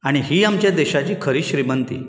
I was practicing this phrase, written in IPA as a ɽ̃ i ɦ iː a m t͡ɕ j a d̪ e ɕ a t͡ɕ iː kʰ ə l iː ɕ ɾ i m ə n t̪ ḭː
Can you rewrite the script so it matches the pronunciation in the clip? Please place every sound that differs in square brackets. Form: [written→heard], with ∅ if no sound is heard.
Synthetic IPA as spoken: a ɽ̃ i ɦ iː a m t͡ɕ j a d̪ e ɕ a t͡ɕ iː kʰ ə [l→ɾ] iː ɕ ɾ i m ə n t̪ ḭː